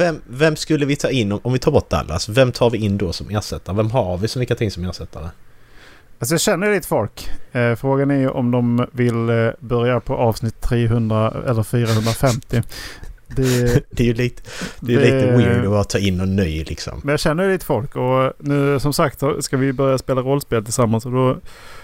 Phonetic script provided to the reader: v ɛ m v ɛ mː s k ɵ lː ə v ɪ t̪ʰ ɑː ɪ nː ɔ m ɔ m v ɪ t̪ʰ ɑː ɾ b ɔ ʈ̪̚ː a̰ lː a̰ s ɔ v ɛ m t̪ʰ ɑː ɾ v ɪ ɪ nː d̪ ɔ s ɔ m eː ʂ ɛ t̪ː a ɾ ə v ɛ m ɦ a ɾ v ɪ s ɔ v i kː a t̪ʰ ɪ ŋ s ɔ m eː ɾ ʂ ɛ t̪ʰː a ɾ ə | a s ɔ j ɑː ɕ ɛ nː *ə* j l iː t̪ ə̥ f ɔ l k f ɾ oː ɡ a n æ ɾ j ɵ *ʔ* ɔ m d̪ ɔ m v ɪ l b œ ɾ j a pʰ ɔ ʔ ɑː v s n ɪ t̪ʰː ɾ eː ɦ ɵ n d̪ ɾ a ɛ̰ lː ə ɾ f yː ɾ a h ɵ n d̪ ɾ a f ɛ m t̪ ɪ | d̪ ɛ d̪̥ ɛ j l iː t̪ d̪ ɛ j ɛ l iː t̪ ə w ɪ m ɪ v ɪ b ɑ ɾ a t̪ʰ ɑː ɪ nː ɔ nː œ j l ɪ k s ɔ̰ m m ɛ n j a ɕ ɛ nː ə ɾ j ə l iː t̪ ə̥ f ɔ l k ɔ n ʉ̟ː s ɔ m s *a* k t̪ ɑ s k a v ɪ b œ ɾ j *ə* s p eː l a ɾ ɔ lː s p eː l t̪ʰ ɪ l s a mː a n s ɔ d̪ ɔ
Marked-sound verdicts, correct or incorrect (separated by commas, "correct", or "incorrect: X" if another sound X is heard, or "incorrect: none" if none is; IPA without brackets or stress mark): correct, correct, correct, incorrect: a